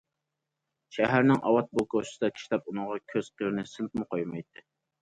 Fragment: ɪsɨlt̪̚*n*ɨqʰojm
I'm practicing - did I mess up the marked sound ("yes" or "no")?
yes